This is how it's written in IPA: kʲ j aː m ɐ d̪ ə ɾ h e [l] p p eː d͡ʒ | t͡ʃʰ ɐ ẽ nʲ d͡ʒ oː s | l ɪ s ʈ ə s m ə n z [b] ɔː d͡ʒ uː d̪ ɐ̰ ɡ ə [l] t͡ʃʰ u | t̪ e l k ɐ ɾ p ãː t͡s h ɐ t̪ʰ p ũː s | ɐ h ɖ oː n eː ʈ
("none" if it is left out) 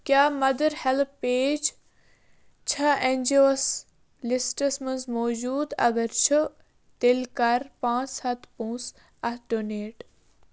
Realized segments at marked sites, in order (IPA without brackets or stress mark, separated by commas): l, m, ɾ